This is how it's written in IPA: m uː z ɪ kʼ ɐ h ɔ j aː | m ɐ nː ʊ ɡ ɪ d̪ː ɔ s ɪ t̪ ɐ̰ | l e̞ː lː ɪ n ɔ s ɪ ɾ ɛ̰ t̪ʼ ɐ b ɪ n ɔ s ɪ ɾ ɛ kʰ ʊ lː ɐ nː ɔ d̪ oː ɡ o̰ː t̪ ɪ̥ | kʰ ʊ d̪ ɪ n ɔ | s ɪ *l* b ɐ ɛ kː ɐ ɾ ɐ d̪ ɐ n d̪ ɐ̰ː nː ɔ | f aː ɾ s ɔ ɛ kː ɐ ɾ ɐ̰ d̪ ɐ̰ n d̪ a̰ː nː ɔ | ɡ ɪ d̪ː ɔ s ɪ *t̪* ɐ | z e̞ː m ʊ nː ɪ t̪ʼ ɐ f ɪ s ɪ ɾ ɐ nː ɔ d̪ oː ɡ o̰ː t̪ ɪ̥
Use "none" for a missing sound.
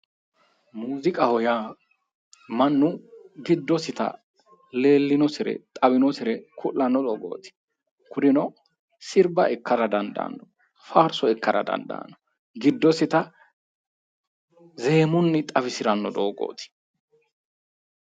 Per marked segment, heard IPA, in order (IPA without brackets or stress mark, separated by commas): ɾ, t̪